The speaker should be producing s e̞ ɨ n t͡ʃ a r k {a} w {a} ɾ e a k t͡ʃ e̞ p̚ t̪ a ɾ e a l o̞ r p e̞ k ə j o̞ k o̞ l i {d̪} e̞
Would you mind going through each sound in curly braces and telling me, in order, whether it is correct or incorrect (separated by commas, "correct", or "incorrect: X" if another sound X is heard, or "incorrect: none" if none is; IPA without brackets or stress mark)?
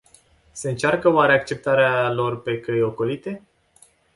incorrect: ə, correct, incorrect: t̪